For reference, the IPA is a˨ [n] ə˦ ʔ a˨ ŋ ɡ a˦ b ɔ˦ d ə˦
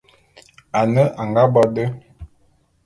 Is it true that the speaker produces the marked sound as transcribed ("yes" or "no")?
yes